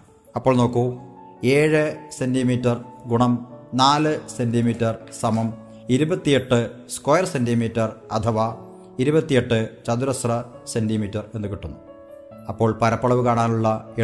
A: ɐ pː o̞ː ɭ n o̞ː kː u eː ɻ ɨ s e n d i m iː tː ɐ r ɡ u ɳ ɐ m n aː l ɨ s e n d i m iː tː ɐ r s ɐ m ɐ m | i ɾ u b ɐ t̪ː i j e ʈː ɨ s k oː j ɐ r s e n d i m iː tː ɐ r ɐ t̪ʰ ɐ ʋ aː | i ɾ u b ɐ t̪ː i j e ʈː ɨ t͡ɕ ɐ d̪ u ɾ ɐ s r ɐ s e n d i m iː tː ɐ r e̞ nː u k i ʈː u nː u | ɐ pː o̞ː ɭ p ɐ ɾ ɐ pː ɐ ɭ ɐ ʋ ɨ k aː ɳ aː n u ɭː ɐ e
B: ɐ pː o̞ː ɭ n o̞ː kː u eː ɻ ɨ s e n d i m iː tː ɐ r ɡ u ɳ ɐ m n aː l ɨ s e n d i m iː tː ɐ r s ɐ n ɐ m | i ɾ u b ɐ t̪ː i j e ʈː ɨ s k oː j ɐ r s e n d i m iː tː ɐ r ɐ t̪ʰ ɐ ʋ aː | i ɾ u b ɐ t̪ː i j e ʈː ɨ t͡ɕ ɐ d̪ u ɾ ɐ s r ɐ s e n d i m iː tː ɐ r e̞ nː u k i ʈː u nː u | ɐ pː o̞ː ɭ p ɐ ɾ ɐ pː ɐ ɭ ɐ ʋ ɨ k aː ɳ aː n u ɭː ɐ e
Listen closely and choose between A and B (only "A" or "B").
A